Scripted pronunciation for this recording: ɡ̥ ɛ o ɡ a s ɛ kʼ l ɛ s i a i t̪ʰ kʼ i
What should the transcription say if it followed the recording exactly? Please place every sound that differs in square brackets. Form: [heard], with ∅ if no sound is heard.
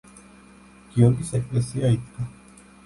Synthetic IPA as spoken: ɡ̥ [i] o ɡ [i] s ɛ kʼ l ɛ s i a i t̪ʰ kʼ [a]